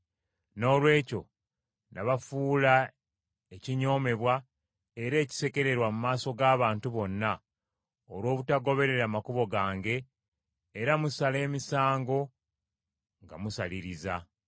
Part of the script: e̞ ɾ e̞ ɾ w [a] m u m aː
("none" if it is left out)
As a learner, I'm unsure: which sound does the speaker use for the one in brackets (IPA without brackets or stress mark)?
a